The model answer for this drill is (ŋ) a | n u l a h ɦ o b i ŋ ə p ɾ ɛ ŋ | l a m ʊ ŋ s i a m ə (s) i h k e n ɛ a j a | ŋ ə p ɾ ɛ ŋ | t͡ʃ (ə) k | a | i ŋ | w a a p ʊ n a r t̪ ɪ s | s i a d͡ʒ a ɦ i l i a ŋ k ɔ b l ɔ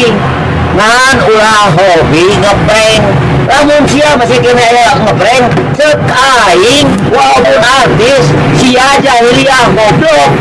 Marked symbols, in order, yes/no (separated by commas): yes, yes, yes